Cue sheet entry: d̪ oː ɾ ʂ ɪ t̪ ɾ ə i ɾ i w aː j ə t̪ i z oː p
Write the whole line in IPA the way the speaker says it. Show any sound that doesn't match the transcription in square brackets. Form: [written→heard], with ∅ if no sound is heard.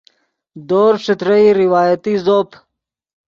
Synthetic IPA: d̪ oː ɾ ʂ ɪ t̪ ɾ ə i ɾ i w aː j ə t̪ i z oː p